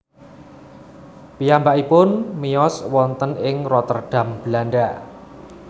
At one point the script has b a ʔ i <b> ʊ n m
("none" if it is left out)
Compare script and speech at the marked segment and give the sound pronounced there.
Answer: p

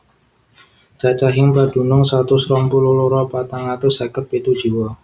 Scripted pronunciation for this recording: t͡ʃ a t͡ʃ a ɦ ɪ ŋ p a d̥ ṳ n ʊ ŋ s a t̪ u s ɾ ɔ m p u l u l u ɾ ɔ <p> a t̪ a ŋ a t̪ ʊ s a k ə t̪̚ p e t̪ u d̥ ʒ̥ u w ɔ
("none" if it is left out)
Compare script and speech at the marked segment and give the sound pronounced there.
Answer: p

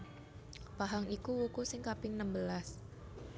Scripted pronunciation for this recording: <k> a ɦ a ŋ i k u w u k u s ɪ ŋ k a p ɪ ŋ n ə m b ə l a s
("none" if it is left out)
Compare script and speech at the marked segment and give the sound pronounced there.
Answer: p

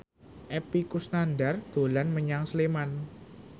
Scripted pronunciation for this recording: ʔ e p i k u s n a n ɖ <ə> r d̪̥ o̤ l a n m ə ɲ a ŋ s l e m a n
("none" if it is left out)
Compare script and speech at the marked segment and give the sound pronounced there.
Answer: a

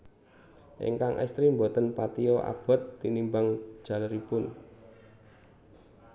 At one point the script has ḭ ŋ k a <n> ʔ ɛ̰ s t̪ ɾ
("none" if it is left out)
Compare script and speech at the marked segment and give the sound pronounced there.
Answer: ŋ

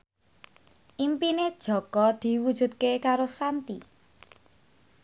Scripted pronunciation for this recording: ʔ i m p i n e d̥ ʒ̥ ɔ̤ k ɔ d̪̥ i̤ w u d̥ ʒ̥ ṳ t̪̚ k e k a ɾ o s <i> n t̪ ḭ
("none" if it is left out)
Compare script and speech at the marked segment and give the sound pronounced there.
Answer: a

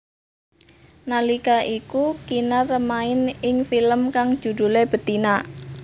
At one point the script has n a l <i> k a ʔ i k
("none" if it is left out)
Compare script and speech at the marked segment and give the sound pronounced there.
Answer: i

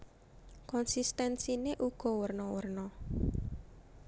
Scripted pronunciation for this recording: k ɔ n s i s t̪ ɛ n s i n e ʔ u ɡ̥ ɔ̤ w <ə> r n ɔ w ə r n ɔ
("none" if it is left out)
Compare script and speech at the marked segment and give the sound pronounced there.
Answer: ə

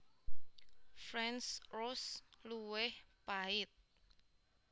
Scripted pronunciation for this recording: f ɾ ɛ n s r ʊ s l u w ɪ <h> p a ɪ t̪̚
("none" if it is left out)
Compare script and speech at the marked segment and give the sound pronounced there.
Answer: h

